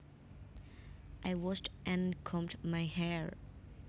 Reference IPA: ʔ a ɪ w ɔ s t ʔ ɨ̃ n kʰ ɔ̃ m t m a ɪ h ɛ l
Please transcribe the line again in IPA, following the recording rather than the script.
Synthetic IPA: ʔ a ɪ w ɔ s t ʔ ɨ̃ n kʰ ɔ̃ m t m a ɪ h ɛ ɹ